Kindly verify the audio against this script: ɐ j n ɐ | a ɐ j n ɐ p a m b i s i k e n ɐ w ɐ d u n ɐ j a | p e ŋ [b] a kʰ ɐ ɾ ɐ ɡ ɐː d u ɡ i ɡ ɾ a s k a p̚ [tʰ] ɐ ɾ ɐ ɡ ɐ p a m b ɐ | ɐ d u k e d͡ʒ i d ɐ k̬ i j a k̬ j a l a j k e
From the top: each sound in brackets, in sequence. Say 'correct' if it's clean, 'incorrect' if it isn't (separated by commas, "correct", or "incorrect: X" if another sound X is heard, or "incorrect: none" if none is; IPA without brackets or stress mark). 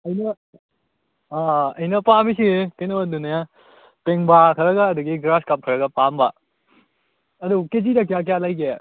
correct, incorrect: kʰ